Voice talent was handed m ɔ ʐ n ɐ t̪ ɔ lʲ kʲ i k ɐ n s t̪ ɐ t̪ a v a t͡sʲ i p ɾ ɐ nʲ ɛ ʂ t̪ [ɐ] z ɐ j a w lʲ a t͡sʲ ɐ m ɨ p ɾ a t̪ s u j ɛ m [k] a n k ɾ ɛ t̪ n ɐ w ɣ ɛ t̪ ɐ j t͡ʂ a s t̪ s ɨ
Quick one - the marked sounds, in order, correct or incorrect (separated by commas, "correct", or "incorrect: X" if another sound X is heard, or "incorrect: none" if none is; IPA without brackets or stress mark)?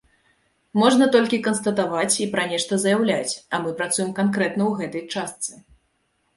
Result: correct, correct